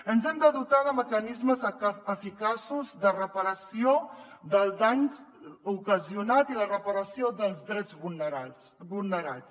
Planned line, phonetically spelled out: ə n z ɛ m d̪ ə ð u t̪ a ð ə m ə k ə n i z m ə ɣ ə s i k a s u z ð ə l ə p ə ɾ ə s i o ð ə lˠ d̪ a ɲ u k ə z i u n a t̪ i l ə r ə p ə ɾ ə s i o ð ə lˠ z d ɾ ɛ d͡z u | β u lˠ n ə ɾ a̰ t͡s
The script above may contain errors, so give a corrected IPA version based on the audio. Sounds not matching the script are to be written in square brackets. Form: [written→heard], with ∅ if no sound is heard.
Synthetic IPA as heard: ə n z ɛ m d̪ ə ð u t̪ a ð ə m ə k ə n i z m ə [ɣ→z] ə [s→f] i k a s u z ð ə [l→r] ə p ə ɾ ə s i o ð ə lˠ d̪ a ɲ u k ə z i u n a t̪ i l ə r ə p ə ɾ ə s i o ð ə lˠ z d ɾ ɛ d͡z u | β u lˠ n ə ɾ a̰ t͡s

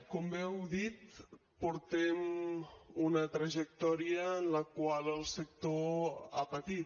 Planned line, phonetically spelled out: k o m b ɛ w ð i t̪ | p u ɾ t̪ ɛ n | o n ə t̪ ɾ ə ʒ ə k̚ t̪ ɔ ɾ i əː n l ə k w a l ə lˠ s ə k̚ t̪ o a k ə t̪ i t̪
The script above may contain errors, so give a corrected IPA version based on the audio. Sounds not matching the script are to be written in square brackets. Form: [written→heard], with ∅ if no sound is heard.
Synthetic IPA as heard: k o m b ɛ w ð i t̪ | p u ɾ t̪ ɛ [n→m] | [o→u] n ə t̪ ɾ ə ʒ ə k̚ t̪ ɔ ɾ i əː n l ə k w a l ə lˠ s ə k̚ t̪ o a [k→p] ə t̪ i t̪

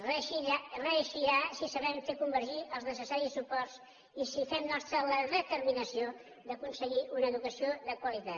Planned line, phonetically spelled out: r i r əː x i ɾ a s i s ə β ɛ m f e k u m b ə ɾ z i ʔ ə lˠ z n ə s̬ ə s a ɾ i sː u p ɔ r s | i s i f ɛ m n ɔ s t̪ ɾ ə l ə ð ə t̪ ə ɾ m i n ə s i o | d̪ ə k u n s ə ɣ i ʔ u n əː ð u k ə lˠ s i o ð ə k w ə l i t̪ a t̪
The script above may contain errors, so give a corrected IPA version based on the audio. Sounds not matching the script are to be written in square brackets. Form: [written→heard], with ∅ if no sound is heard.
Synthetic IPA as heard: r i r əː [x→ʃ] i ɾ a s i s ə β ɛ m f e k u m b ə ɾ [z→ʒ] i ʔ ə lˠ z n ə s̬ ə s a ɾ i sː u p ɔ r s | i s i f ɛ m n ɔ s t̪ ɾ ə l ə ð ə t̪ ə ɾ m i n ə s i o | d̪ ə k u n s ə ɣ i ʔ u n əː ð u k ə [lˠ→∅] s i o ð ə k w ə l i t̪ a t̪

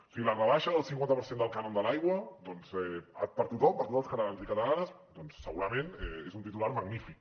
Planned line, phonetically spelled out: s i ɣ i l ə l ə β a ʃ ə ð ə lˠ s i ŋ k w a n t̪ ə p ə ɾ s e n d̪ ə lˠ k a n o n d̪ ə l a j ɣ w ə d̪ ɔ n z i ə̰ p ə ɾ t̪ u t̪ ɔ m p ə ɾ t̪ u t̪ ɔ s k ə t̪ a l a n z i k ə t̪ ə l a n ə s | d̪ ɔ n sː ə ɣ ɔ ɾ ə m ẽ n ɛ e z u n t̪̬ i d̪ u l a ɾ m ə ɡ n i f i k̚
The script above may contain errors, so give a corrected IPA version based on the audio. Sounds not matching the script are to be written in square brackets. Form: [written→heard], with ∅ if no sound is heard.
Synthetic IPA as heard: s i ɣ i l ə [l→r] ə β a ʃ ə ð ə lˠ s i ŋ k w a n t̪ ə p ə ɾ s e n d̪ ə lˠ k a n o n d̪ ə l a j ɣ w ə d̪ ɔ n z [i→ɛ] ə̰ p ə ɾ t̪ u t̪ ɔ m p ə ɾ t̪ u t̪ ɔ s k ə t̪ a l a n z i k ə t̪ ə l a n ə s | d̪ ɔ n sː ə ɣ [ɔ→u] ɾ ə m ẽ n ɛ e z u n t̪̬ i [d̪→t̪] u l a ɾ m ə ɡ n i f i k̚

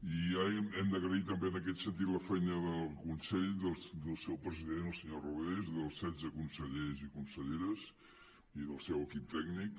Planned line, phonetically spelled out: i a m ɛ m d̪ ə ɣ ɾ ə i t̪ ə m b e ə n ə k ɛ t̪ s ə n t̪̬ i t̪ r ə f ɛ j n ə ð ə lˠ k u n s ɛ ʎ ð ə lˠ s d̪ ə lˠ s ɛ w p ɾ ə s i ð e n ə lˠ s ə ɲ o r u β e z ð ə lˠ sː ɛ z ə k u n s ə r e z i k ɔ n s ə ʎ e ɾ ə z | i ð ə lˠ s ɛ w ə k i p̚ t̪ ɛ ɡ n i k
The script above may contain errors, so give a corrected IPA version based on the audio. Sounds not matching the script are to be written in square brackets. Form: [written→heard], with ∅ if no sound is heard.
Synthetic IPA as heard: i a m ɛ m d̪ ə ɣ ɾ ə i t̪ ə m b e ə n ə k ɛ t̪ s ə n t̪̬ i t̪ [r→l] ə f ɛ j n ə ð ə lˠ k u n s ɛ ʎ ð ə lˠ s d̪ ə lˠ s ɛ w p ɾ ə [s→z] i ð e n ə lˠ s ə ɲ o r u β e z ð ə lˠ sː ɛ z ə k u n s ə [r→ʎ] e z i k [ɔ→u] n s ə ʎ e ɾ ə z | i ð ə lˠ s ɛ w ə k i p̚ t̪ ɛ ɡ n i k

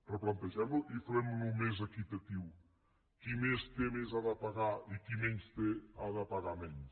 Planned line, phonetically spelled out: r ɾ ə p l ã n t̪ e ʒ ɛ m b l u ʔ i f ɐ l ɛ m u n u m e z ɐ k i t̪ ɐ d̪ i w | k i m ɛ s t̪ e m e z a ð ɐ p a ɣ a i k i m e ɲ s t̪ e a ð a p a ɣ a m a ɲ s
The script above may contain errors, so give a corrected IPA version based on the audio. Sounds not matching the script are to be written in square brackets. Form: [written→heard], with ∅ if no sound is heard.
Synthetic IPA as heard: r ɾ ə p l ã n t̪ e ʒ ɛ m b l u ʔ i f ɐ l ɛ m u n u m e z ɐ k i t̪ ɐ [d̪→t̪] i w | k i m [ɛ→e] s t̪ e m e z a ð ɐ p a ɣ a i k i m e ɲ s t̪ e a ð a p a ɣ a m [a→ɛ] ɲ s

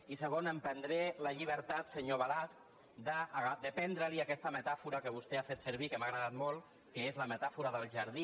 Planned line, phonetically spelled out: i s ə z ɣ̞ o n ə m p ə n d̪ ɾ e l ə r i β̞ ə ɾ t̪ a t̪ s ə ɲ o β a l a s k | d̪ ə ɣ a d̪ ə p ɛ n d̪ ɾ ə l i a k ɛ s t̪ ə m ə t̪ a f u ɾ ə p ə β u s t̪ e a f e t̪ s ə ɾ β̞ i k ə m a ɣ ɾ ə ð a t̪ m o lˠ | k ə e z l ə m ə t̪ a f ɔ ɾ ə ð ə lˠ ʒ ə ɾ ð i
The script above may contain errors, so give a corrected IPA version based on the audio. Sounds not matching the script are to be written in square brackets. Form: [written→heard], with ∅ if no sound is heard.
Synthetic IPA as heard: i s ə [z→∅] ɣ̞ o n ə m p ə n d̪ ɾ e l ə [r→ʎ] i β̞ ə ɾ t̪ a t̪ s ə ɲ o β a l a s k | d̪ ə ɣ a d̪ ə p ɛ n d̪ ɾ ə l i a k ɛ s t̪ ə m ə t̪ a f u ɾ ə [p→k] ə β u s t̪ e a f e t̪ s ə ɾ β̞ i k ə m a ɣ ɾ ə ð a t̪ m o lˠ | k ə e z l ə m ə t̪ a f [ɔ→u] ɾ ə ð ə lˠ ʒ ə ɾ ð i

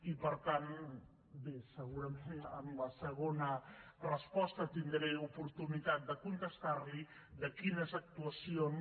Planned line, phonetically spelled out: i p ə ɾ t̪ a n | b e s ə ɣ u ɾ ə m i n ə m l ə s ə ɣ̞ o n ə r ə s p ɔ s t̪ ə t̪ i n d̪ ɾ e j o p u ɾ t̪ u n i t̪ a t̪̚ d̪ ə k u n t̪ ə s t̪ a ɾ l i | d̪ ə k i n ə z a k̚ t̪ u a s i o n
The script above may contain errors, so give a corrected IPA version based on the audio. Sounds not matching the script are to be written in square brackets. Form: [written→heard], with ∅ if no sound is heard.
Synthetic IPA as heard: i p ə ɾ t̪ a n | b e s ə ɣ u ɾ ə m [i→e] n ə m l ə s ə ɣ̞ o n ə r ə s p ɔ s t̪ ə t̪ i n d̪ ɾ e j [o→u] p u ɾ t̪ u n i t̪ a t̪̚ d̪ ə k u n t̪ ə s t̪ a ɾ l i | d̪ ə k i n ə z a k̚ t̪ u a s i o n

